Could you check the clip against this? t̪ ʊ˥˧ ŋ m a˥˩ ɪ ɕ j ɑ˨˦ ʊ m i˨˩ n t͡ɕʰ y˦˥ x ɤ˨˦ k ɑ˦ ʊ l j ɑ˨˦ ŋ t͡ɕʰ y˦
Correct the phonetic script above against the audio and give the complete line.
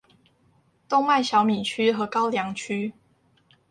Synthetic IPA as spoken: t̪ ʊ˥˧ ŋ m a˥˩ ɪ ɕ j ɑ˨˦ ʊ m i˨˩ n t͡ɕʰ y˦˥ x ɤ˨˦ k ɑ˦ ʊ l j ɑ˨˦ ŋ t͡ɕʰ y˦